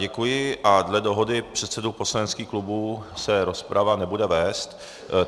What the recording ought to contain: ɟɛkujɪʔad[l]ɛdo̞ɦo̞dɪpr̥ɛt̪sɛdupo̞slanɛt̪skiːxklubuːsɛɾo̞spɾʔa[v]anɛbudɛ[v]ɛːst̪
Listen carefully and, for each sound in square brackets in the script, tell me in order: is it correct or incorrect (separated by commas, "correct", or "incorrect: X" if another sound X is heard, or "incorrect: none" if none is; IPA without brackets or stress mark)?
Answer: correct, correct, correct